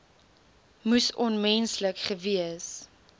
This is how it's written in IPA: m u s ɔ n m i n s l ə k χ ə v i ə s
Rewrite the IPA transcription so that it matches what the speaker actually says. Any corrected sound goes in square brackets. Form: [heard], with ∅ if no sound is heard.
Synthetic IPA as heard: m u s ɔ n m [ɛ] n s l ə k χ ə v i ə s